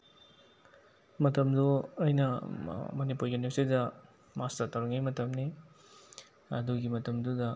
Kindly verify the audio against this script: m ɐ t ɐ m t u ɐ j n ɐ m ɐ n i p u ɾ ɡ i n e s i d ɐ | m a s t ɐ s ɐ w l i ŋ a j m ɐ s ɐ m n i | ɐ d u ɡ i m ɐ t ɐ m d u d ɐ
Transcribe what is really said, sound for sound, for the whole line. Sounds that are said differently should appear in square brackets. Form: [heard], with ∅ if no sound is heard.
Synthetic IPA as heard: m ɐ t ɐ m [d] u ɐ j n ɐ m ɐ n i p u ɾ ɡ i n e s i d ɐ | m a s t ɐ [t] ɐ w [ɾ] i ŋ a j m ɐ [t] ɐ m n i | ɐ d u ɡ i m ɐ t ɐ m d u d ɐ